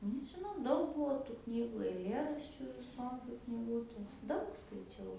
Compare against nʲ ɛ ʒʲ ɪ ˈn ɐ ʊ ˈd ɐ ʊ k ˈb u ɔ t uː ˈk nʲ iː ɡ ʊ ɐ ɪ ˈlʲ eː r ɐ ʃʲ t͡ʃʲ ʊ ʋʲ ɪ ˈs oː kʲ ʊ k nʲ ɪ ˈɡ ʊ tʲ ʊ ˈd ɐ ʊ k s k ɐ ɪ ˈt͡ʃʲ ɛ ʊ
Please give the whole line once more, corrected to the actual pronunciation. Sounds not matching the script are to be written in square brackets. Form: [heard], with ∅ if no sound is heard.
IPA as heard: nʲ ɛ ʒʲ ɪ ˈn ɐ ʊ ˈd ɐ ʊ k ˈb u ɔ t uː ˈk nʲ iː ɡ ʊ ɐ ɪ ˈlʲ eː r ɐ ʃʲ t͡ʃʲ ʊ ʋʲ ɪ ˈs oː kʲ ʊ k nʲ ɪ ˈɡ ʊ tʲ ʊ ˈd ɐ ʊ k s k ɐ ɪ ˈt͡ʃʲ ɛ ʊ